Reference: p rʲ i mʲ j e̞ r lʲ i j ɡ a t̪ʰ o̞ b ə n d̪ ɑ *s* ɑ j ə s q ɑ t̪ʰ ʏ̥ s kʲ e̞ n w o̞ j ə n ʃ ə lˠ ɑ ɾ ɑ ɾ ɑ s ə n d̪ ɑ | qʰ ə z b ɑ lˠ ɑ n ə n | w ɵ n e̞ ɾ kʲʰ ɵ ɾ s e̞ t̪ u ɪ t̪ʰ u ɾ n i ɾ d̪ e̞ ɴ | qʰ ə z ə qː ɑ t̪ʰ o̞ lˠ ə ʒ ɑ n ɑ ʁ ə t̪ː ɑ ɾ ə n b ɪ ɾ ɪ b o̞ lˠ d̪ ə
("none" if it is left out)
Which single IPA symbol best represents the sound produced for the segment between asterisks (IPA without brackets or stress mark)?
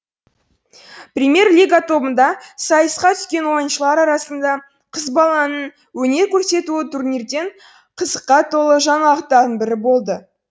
s